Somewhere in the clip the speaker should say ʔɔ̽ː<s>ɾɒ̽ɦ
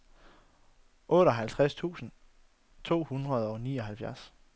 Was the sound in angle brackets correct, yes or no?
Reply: no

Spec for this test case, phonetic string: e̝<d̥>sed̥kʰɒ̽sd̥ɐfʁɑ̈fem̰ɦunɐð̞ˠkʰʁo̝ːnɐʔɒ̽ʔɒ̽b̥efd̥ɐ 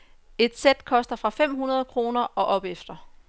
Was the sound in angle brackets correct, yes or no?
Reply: yes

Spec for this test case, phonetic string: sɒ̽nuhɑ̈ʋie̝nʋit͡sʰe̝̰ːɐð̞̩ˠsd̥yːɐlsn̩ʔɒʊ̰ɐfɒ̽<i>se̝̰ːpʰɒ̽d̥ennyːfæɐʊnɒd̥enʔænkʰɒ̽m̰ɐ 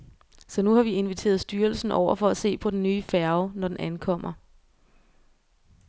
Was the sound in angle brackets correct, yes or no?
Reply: no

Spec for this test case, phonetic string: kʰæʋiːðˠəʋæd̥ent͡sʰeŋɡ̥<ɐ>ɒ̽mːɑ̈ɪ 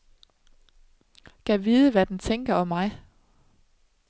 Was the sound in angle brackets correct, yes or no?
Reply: yes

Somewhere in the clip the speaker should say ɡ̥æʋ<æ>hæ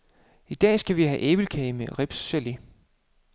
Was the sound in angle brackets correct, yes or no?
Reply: no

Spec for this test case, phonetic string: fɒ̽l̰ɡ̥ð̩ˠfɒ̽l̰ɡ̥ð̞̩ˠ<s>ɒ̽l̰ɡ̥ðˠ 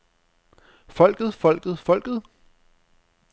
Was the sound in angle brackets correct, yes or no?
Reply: no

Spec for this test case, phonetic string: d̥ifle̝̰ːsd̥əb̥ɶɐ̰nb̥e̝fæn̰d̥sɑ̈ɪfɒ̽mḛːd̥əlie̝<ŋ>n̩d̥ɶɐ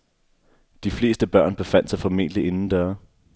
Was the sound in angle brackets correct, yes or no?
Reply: no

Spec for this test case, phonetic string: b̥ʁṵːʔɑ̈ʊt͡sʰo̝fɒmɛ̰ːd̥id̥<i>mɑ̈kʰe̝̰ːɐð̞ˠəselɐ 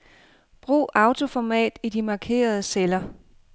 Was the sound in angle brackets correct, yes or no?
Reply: yes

